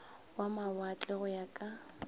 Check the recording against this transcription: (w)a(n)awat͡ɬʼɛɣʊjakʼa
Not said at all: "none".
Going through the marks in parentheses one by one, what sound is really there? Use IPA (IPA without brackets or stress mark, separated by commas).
w, m